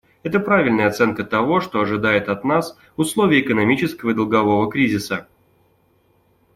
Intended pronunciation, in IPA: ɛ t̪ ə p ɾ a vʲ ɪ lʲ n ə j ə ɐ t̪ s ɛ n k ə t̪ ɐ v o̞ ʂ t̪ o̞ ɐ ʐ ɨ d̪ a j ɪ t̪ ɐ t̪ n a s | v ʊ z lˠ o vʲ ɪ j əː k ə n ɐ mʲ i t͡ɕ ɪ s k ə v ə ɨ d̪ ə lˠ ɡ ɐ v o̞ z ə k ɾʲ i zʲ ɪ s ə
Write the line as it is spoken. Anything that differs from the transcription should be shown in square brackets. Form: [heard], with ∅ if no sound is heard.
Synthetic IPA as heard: ɛ t̪ ə p ɾ a vʲ ɪ lʲ n ə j ə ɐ t̪ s ɛ n k ə t̪ ɐ v o̞ ʂ t̪ o̞ ɐ ʐ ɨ d̪ a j ɪ t̪ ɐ t̪ n a s | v ʊ [s] lˠ o vʲ ɪ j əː k ə n ɐ mʲ i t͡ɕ ɪ s k ə v ə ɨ d̪ ə lˠ ɡ ɐ v o̞ [v] ə k ɾʲ i zʲ ɪ s ə